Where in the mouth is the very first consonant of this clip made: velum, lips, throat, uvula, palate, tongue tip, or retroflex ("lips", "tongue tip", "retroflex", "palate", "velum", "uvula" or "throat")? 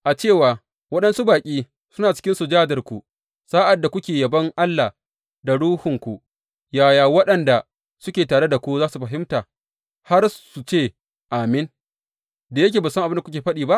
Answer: throat